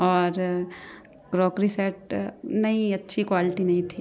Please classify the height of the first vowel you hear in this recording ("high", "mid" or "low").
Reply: mid